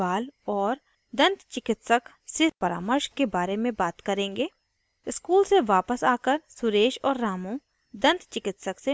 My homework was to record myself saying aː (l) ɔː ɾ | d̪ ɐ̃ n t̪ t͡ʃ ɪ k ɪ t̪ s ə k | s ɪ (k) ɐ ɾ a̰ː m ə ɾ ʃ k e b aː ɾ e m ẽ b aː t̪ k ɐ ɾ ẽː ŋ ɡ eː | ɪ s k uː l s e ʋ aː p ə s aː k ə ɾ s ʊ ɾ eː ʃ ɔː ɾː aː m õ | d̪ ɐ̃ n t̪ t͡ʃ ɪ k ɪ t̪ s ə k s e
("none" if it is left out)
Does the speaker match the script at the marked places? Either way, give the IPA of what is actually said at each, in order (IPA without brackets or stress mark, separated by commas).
l, p